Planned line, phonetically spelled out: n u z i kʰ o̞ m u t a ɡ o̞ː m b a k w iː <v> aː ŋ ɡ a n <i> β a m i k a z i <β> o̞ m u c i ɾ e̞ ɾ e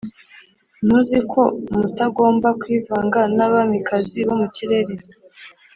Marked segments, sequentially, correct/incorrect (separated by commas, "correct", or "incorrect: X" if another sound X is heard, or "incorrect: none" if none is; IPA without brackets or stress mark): correct, incorrect: a, correct